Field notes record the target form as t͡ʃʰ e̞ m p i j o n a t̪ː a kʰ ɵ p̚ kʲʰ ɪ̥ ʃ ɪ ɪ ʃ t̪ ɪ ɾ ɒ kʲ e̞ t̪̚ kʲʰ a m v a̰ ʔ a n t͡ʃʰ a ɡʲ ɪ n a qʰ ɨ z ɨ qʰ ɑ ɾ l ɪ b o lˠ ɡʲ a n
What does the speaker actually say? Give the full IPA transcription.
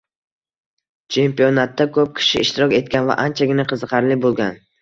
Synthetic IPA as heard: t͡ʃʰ e̞ m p i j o n a t̪ː a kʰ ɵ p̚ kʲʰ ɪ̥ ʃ ɪ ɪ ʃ t̪ ɪ ɾ ɒ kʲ e̞ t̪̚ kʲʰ a n v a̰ ʔ a n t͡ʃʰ a ɡʲ ɪ n a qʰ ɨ z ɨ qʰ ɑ ɾ l ɪ b o lˠ ɡʲ a n

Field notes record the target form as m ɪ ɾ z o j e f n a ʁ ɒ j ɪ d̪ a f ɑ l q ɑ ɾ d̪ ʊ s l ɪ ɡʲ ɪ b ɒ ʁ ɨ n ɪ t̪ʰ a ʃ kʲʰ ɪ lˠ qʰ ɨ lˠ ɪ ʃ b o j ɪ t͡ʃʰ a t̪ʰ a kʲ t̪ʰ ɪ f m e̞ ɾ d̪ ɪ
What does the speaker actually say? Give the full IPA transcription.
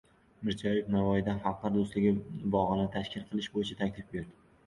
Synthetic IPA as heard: m ɪ ɾ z ɒ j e f n a v ɒ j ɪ d̪ a f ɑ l q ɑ ɾ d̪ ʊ s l ɪ ɡʲ ɪ b ɒ ʁ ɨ n ɪ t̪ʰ a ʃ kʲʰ ɪ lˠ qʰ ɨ lˠ ɪ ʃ b o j ɪ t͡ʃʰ a t̪ʰ a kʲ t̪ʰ ɪ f b e̞ ɾ d̪ ɪ

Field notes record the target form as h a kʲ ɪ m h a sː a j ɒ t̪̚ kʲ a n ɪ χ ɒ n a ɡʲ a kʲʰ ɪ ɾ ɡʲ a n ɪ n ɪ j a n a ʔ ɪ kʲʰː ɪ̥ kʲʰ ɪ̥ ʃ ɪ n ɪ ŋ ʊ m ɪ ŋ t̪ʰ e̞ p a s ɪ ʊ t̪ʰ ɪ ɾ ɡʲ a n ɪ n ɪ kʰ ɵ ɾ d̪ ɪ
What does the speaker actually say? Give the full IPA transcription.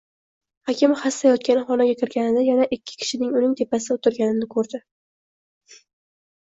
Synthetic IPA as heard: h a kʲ ɪ m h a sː a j ɒ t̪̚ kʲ a n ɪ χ ɒ n a ɡʲ a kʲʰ ɪ ɾ ɡʲ a n ɪ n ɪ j a n a ʔ ɪ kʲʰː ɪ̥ kʲʰ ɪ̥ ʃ ɪ n ɪ ŋ ʊ n ɪ ŋ t̪ʰ e̞ p a s ɪ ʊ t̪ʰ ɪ ɾ ɡʲ a n ɪ n ɪ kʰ ɵ ɾ d̪ ɪ

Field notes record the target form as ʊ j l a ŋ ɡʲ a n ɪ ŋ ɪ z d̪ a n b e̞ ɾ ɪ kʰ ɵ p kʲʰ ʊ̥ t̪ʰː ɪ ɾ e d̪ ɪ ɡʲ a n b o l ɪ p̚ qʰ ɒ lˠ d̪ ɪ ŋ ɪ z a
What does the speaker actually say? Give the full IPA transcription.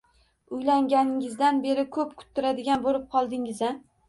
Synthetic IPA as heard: ʊ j l a ŋ ɡʲ a n ɪ ŋ ɪ z d̪ a n b e̞ ɾ ɪ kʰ ɵ p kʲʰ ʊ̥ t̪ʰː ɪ ɾ a d̪ ɪ ɡʲ a n b o l ɪ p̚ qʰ ɒ lˠ d̪ ɪ ŋ ɪ z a

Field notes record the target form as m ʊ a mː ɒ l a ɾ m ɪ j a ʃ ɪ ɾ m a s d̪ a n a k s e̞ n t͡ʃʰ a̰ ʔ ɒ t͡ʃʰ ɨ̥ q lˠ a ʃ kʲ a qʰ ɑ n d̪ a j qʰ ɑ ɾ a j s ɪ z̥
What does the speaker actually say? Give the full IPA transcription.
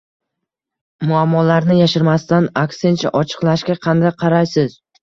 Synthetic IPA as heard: m ʊ a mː ɒ l a ɾ n ɪ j a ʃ ɪ ɾ m a s t̪ a n a k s e̞ n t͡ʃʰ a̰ ʔ ɒ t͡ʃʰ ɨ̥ q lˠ a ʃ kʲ a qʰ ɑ n d̪ a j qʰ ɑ ɾ a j s ɪ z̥

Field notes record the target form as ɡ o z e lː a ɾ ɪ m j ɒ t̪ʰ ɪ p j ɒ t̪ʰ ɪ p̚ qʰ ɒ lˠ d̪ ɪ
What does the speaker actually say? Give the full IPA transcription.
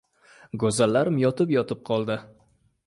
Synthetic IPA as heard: ɡ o z a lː a ɾ ɪ m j ɒ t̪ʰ ɪ p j ɒ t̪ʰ ɪ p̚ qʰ ɒ lˠ d̪ ɪ

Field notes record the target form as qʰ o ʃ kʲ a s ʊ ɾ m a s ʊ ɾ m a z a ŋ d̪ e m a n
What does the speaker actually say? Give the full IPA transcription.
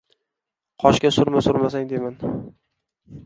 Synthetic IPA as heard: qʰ ɒ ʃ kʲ a s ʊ ɾ m a s ʊ ɾ m a s a ŋ d̪ e m a n

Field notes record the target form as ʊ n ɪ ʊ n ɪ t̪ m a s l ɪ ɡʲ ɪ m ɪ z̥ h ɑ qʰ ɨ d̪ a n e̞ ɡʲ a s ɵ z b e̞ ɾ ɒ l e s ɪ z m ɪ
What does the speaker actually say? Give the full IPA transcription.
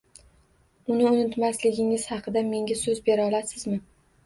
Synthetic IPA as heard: ʊ n ɪ ʊ n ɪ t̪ m a s l ɪ ɡʲ ɪ ŋ ɪ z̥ h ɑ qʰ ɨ d̪ a m e̞ ŋʲ a s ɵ z b e̞ ɾ ɒ l a s ɪ z m ɪ

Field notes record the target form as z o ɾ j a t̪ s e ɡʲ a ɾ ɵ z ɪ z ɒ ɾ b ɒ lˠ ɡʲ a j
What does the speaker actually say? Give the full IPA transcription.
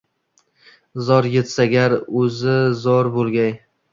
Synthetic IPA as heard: z ɒ ɾ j e t̪ s a ɡʲ a ɾ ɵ z ɪ z ɒ ɾ b o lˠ ɡʲ a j

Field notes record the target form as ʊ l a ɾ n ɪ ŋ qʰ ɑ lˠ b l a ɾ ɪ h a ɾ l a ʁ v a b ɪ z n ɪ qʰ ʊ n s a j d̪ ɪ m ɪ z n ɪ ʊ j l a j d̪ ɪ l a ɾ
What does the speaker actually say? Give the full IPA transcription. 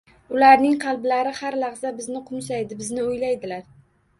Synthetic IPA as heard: ʊ l a ɾ n ɪ ŋ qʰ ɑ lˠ b l a ɾ ɪ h a ɾ l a ʁ z a b ɪ z n ɪ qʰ ʊ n s a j d̪ ɪ b ɪ z n ɪ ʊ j l a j d̪ ɪ l a ɾ

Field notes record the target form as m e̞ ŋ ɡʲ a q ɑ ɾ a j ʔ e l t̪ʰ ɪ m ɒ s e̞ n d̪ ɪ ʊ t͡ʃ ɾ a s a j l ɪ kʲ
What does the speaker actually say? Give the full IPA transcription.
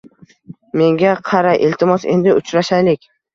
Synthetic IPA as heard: m e̞ ŋ ɡʲ a qʰ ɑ ɾ a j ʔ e l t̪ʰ ɪ m ɒ s e̞ n d̪ ɪ ʊ t͡ʃ ɾ a ʃ a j l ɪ kʲ

